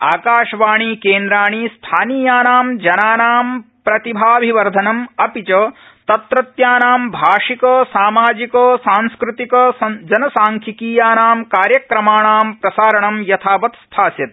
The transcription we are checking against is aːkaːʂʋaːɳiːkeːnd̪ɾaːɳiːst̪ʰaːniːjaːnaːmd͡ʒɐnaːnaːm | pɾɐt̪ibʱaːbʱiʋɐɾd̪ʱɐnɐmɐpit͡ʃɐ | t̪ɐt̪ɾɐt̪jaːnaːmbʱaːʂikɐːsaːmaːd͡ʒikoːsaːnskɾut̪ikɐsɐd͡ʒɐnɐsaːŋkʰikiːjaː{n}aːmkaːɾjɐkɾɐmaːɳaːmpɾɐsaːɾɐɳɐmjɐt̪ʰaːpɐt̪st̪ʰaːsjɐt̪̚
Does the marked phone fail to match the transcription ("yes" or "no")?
no